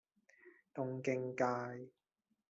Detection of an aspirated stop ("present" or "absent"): absent